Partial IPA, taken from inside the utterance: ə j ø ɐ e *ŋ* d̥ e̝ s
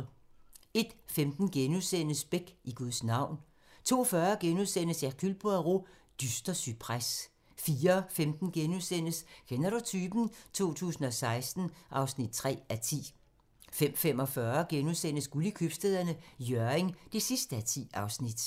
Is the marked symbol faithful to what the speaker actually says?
yes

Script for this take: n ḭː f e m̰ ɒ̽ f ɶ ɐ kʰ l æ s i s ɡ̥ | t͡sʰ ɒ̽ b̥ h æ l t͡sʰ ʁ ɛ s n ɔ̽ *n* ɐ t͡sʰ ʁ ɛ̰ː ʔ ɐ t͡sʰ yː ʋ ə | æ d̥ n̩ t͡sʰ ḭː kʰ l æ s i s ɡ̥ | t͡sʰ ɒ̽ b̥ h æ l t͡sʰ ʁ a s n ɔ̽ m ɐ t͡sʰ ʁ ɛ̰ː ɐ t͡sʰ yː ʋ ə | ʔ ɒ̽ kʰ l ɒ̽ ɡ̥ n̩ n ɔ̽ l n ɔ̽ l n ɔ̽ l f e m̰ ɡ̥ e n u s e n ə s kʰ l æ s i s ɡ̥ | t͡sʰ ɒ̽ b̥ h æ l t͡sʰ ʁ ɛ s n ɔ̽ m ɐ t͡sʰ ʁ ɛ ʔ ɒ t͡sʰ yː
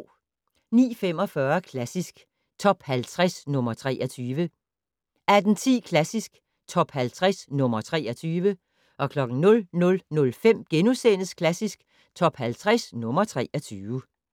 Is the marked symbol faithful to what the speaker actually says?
no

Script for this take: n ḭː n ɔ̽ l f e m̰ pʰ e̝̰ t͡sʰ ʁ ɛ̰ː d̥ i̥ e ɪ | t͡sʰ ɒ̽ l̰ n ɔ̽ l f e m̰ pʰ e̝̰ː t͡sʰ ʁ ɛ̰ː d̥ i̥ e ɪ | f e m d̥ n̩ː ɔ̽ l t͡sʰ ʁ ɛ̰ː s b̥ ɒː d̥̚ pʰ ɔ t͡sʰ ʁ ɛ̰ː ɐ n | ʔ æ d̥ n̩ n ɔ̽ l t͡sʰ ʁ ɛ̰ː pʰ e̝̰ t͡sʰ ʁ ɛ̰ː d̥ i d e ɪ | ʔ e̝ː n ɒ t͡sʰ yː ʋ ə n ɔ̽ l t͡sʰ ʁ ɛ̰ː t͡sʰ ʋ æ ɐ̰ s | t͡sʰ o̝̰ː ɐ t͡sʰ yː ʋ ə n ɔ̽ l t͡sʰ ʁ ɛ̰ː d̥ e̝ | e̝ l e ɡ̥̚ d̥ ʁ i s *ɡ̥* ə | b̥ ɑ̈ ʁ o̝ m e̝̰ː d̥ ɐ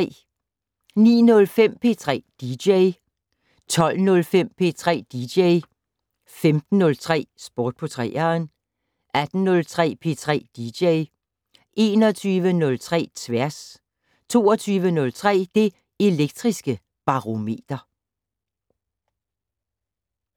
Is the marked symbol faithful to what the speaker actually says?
yes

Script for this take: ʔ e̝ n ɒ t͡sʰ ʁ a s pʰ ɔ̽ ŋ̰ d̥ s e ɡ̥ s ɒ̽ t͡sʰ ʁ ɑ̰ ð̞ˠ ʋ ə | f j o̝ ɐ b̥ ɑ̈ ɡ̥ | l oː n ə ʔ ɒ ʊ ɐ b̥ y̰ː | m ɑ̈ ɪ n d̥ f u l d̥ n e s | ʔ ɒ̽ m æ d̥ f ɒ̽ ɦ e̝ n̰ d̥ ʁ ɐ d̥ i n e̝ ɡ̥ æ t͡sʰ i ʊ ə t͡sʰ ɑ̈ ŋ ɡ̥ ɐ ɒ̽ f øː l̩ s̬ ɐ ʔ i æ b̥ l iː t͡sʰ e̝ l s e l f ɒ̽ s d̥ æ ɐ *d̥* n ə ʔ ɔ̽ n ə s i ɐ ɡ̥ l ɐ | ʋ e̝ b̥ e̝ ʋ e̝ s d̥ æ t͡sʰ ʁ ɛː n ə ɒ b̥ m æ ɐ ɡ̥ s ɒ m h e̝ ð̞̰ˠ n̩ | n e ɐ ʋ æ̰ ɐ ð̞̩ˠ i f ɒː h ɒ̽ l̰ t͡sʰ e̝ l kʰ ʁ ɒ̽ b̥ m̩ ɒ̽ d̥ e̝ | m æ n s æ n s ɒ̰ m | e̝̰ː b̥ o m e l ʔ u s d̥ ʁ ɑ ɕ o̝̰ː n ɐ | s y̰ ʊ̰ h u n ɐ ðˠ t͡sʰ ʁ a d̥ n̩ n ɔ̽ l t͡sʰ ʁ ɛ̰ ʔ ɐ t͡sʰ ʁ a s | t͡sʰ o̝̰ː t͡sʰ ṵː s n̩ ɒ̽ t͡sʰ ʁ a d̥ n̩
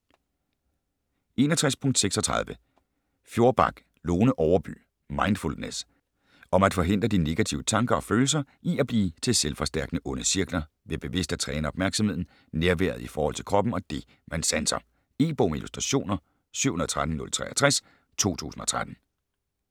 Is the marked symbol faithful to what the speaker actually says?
no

